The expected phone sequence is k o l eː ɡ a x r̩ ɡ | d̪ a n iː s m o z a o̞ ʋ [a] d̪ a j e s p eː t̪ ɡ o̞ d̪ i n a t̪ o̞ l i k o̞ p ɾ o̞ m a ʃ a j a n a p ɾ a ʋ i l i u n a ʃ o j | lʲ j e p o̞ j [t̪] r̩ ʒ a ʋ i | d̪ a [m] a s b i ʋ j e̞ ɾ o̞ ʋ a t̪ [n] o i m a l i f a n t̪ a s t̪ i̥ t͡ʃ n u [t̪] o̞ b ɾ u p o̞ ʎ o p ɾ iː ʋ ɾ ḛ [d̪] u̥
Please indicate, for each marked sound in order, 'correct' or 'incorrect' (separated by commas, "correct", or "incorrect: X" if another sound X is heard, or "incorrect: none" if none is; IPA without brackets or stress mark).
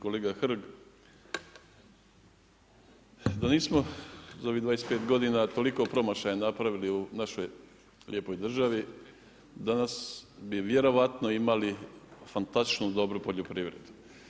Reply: incorrect: i, incorrect: d̪, incorrect: n, correct, incorrect: d̪, correct